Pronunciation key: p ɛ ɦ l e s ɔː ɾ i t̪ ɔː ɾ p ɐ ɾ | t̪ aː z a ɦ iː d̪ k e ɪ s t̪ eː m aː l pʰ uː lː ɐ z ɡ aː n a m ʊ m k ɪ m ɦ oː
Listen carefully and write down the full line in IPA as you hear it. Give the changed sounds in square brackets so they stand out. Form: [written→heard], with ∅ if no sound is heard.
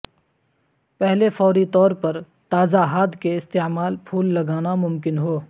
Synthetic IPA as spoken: p ɛ ɦ l e [s→f] ɔː ɾ i t̪ ɔː ɾ p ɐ ɾ | t̪ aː z a ɦ [iː→aː] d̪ k e ɪ s t̪ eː m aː l pʰ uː lː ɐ [z→∅] ɡ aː n a m ʊ m k ɪ [m→n] ɦ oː